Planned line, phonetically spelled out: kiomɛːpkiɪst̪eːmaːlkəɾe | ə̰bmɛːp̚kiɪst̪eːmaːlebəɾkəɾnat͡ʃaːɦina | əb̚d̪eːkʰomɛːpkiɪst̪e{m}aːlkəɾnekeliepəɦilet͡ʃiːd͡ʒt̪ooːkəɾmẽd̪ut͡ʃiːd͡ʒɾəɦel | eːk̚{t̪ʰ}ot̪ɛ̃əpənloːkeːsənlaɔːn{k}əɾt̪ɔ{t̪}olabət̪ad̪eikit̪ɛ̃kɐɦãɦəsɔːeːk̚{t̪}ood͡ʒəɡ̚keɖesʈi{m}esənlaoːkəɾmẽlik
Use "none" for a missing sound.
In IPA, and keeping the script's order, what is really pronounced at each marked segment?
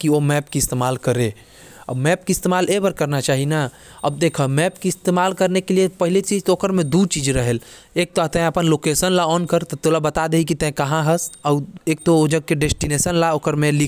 m, t̪, k, t̪, t̪, n

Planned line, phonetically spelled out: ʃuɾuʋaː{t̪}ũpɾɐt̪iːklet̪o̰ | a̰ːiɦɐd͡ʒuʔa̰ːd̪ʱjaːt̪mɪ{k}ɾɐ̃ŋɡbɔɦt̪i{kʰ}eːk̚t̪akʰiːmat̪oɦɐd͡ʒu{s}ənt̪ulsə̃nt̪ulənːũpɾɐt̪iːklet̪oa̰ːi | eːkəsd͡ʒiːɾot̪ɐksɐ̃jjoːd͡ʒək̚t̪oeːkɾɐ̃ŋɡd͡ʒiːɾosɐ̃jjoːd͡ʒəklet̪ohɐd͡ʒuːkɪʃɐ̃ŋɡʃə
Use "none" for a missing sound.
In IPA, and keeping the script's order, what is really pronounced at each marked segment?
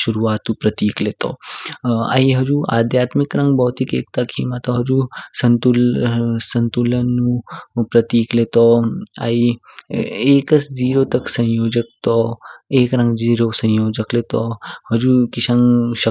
t̪, k, k, s

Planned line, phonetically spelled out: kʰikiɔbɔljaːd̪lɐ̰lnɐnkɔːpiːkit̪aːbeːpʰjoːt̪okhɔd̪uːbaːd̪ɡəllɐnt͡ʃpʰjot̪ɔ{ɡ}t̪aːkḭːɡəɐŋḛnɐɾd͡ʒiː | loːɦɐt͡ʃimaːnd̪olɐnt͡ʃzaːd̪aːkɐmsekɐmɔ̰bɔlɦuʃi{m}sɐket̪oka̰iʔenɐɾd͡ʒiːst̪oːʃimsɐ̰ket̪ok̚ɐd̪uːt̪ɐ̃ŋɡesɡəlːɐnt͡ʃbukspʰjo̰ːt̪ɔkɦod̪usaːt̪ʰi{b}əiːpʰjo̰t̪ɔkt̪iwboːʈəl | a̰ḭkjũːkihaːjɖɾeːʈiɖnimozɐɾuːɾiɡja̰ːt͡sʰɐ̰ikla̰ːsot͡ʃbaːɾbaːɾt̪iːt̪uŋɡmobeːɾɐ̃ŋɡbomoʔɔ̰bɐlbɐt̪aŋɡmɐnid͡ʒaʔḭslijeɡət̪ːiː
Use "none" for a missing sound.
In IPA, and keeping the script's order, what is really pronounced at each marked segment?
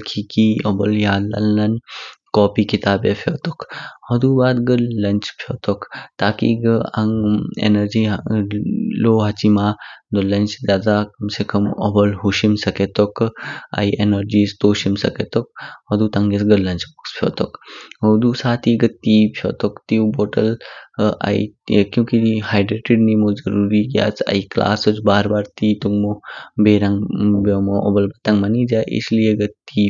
k, m, ɡ

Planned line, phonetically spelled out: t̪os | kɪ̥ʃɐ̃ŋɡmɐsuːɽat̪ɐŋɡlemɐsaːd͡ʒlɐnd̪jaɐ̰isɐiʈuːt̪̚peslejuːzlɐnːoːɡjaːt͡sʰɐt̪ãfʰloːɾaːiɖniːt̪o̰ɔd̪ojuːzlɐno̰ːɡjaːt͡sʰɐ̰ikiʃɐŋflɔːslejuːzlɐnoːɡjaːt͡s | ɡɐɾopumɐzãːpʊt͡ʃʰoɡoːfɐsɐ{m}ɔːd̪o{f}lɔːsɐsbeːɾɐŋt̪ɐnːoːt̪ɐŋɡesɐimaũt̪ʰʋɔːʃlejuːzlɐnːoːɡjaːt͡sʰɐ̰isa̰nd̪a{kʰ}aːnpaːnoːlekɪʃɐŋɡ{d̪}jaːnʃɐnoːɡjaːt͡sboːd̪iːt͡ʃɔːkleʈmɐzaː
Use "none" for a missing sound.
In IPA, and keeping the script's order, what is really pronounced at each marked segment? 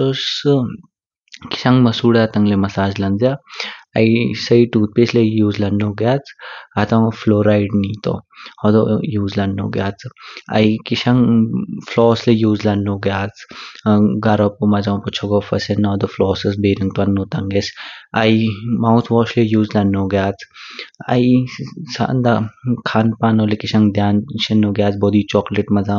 n, f, kʰ, d̪

